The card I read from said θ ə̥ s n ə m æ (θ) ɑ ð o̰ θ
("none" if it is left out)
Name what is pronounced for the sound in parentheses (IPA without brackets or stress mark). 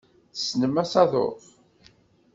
s